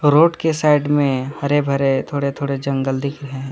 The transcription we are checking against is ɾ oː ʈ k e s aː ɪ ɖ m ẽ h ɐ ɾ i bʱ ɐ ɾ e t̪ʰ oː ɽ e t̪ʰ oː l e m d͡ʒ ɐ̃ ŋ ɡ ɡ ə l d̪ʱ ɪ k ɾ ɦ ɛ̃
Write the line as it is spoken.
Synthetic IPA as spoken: ɾ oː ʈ k e s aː ɪ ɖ m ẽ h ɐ ɾ e bʱ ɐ ɾ e t̪ʰ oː ɽ e t̪ʰ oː ɽ e d͡ʒ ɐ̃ ŋ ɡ ɡ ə l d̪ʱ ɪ k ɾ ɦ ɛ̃